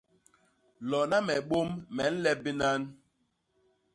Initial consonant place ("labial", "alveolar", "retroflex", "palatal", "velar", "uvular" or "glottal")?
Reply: alveolar